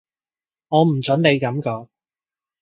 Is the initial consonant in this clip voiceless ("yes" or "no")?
no